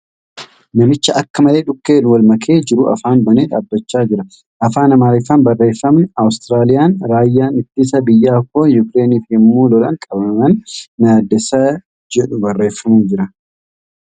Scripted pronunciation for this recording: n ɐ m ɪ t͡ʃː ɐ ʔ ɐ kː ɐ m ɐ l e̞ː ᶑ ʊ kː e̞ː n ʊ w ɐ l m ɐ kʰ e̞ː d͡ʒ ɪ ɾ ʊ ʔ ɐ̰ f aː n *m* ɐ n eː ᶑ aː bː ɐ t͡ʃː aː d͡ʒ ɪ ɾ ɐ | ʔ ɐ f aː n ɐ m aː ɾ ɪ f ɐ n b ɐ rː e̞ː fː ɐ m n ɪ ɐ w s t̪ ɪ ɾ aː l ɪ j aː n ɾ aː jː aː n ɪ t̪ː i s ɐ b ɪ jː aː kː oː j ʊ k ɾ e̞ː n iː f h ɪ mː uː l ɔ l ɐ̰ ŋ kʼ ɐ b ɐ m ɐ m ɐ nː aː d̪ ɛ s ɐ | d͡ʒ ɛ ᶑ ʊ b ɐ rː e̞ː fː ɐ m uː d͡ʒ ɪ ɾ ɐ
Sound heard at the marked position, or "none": b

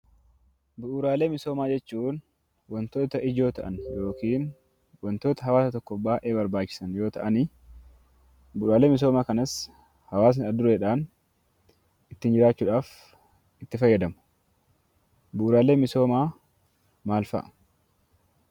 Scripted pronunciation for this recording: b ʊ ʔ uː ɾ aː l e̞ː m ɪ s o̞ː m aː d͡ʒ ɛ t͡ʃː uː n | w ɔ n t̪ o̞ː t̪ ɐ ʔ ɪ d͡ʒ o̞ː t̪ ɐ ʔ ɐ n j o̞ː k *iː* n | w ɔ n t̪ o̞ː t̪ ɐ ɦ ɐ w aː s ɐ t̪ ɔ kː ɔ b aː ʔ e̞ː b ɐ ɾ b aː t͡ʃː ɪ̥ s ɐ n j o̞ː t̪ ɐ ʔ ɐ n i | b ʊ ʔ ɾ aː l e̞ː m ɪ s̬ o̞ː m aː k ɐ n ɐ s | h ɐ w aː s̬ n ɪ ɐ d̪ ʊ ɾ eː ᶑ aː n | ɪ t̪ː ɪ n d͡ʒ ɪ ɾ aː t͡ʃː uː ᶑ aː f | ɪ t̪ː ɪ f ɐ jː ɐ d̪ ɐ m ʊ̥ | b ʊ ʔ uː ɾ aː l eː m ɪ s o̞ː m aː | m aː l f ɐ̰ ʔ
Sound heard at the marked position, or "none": iː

